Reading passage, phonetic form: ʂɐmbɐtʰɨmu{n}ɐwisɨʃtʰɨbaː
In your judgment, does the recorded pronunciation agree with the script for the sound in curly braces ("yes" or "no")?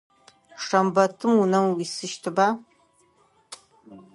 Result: yes